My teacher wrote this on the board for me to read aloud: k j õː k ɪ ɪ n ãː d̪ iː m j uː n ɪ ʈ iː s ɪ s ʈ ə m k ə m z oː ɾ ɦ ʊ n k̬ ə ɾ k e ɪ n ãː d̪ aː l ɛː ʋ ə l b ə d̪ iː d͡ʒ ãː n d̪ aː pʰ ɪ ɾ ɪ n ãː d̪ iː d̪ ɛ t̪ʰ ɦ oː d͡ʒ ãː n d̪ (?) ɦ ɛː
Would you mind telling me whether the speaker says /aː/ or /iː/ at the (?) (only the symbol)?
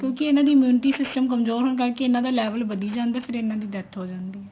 iː